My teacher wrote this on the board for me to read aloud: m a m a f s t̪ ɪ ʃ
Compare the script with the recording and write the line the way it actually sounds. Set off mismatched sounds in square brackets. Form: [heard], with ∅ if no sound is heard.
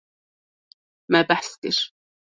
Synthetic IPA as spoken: m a [b] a [ħ] s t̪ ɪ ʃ